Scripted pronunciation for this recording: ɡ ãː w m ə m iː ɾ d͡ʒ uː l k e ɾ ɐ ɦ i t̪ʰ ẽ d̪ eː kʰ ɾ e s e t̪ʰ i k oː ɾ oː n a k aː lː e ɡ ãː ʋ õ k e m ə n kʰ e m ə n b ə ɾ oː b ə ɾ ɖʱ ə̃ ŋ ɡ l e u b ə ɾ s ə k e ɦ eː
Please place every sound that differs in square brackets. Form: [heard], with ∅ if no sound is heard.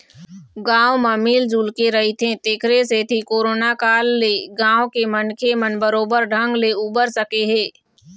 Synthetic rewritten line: ɡ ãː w m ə m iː [l] d͡ʒ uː l k e ɾ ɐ ɦ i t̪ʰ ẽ [t̪] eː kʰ ɾ e s e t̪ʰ i k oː ɾ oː n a k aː lː e ɡ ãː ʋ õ k e m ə n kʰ e m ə n b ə ɾ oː b ə ɾ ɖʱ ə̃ ŋ ɡ l e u b ə ɾ s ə k e ɦ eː